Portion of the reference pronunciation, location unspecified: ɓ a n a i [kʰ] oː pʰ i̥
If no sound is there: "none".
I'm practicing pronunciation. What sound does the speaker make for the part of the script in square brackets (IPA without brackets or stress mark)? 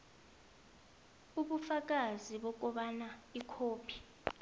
kʰ